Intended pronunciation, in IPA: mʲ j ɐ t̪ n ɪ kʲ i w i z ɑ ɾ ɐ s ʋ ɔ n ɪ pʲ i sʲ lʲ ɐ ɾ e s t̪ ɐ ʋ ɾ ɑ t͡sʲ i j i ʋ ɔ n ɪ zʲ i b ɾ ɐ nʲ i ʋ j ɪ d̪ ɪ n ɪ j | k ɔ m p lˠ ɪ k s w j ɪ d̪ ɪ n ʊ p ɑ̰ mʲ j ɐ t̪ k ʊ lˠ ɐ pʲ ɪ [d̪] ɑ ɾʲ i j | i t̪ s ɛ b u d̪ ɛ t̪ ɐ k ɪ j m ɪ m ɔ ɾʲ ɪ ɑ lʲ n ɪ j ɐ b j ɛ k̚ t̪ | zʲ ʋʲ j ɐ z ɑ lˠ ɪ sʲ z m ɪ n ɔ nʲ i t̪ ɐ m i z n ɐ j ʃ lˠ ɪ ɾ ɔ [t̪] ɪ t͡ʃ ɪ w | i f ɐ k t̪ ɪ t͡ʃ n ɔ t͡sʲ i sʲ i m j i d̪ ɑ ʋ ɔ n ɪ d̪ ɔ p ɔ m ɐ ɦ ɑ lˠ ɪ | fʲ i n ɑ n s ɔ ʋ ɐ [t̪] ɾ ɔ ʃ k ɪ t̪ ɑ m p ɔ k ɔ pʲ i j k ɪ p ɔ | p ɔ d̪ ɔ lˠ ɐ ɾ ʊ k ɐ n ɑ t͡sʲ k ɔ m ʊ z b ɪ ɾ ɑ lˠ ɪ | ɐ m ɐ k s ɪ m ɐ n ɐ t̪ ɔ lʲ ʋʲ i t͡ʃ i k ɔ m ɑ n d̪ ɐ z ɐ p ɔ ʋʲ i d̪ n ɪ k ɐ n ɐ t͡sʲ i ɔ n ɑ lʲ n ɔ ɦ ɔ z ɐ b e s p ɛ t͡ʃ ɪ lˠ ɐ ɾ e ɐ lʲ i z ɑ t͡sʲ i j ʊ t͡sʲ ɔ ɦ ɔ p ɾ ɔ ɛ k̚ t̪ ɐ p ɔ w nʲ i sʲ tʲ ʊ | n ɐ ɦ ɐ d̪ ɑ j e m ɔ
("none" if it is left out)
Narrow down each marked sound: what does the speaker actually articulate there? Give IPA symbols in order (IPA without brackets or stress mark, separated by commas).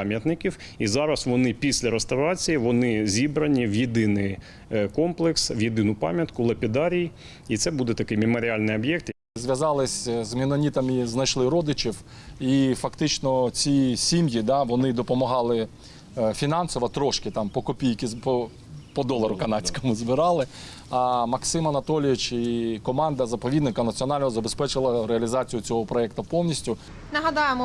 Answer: d̪, d̪, t̪